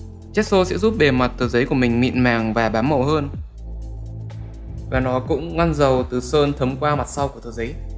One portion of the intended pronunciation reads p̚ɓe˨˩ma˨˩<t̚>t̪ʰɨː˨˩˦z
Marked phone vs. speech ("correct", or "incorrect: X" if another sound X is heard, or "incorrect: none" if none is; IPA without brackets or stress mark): correct